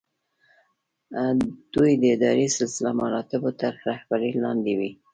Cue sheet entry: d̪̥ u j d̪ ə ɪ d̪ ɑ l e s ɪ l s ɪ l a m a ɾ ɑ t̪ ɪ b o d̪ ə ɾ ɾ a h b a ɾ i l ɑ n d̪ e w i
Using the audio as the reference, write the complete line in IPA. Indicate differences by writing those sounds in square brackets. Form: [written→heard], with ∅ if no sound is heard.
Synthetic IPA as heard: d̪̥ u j d̪ ə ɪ d̪ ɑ [l→ɾ] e s ɪ l s ɪ l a m a ɾ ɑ t̪ ɪ b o [d̪→t̪] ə ɾ ɾ a h b a ɾ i l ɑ n d̪ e w i